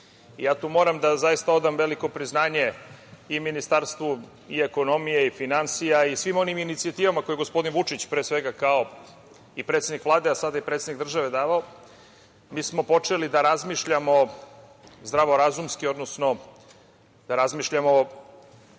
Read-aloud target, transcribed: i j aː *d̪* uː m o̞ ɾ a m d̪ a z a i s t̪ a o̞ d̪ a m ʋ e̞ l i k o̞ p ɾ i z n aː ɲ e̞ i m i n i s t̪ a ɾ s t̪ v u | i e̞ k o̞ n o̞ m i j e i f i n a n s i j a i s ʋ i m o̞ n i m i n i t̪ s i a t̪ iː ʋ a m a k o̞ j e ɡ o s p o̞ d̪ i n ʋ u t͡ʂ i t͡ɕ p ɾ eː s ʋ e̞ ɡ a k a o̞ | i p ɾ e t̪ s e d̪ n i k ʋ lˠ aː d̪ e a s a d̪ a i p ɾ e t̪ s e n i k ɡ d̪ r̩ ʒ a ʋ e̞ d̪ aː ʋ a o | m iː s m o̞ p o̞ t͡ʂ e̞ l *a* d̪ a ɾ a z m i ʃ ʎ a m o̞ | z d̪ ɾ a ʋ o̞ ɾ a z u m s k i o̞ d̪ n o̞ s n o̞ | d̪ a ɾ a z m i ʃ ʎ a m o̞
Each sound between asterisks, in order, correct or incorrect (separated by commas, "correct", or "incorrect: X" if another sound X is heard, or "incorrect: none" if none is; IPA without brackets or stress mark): incorrect: t̪, incorrect: i